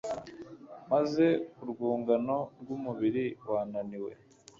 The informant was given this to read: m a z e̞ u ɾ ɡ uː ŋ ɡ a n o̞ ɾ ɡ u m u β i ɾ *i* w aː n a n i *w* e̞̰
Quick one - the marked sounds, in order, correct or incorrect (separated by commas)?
correct, correct